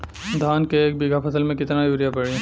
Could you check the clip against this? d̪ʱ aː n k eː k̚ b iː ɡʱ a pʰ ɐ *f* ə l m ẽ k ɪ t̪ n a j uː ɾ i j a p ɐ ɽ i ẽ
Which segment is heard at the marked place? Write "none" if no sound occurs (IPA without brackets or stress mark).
s